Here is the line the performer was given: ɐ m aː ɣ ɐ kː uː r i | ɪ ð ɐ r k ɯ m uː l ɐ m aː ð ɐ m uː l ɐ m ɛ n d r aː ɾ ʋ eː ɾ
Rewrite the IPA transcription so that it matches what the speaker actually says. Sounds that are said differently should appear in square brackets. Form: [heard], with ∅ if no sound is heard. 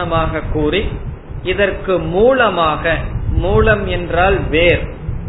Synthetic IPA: ɐ m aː ɣ ɐ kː uː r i | ɪ ð ɐ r k ɯ m uː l ɐ m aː [ɣ] ɐ m uː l ɐ m ɛ n d r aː [l] ʋ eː ɾ